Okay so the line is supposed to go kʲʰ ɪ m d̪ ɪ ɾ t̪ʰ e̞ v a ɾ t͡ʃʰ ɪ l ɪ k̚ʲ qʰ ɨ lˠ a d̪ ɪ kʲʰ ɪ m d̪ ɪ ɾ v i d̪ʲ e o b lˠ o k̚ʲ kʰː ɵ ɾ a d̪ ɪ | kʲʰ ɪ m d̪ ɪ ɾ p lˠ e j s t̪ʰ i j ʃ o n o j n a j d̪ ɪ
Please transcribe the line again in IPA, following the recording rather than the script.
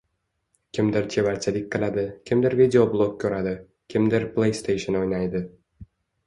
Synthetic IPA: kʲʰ ɪ m d̪ ɪ ɾ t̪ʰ e̞ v a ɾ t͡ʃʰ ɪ l ɪ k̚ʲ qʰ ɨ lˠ a d̪ ɪ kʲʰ ɪ m d̪ ɪ ɾ v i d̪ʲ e o b lˠ o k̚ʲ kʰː ɵ ɾ a d̪ ɪ | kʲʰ ɪ m d̪ ɪ ɾ p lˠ e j s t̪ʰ e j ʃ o n o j n a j d̪ ɪ